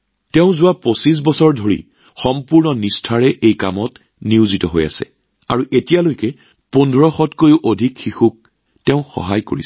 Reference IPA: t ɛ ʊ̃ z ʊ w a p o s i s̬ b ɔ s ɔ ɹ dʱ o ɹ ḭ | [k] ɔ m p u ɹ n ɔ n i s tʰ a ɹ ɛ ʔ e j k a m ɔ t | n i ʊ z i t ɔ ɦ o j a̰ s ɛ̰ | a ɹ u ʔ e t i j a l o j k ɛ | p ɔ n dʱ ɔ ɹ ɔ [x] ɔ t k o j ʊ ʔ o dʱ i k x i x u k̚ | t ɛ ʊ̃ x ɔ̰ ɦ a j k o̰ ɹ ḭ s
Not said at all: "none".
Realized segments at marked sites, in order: x, x

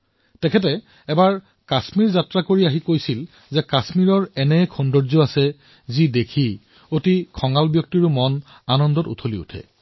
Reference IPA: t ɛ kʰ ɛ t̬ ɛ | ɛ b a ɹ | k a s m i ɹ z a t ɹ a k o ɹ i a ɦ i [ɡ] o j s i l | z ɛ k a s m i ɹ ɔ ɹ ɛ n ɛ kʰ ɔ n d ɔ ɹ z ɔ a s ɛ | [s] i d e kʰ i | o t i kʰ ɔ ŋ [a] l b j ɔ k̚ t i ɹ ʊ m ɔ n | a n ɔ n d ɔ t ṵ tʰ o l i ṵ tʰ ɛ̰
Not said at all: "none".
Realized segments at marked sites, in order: k, z, a

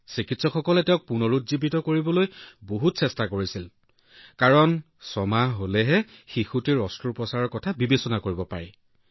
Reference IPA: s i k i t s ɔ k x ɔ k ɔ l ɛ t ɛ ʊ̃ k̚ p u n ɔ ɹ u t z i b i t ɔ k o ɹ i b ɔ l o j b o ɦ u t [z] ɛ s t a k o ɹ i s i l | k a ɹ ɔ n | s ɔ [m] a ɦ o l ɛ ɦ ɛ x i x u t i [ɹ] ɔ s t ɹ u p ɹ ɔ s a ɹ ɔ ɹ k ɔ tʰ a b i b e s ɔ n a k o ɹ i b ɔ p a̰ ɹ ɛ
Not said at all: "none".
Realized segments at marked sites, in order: s, m, ɹ

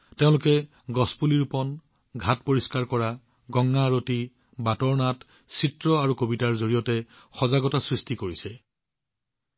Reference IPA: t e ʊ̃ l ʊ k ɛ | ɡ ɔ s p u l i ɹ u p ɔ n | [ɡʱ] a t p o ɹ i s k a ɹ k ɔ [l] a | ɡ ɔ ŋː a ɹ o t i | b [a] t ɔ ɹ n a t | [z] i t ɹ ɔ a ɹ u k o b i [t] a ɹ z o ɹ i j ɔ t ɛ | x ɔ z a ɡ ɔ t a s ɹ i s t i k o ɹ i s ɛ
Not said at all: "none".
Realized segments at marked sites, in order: ɡʱ, ɹ, a, s, t

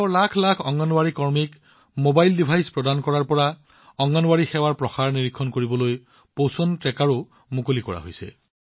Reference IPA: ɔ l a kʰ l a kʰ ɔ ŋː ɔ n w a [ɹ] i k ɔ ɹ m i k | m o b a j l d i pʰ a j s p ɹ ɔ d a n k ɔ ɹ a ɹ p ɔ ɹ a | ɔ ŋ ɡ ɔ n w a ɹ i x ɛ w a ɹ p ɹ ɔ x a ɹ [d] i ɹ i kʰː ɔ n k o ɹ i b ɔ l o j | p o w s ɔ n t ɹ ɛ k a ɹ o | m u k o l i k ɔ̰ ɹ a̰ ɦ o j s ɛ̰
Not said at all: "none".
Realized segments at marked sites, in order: ɹ, n

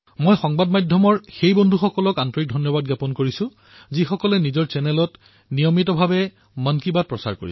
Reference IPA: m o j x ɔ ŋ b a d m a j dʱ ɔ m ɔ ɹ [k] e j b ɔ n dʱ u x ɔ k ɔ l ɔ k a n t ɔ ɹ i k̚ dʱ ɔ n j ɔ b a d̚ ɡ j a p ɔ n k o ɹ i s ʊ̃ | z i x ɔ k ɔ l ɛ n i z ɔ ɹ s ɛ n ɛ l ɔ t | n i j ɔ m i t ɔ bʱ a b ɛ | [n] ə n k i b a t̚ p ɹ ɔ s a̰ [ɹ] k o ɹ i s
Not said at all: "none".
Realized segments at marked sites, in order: x, m, ɹ

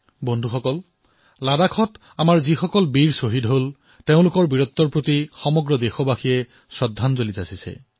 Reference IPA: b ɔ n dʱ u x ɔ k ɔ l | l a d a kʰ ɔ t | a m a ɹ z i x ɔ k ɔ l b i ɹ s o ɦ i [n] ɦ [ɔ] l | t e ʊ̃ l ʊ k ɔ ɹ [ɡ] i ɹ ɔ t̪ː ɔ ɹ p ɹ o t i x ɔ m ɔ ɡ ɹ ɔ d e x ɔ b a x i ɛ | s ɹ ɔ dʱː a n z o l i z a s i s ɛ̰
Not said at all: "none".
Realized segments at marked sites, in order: d, o, b

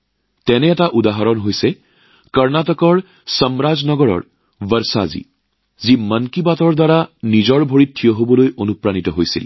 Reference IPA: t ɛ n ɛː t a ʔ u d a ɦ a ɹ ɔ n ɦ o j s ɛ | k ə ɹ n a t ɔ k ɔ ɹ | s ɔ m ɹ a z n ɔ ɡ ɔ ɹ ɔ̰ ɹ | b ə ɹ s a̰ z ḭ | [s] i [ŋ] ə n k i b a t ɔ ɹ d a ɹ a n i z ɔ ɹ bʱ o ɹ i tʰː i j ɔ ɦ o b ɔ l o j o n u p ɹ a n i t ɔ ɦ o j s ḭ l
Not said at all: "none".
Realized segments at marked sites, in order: z, m

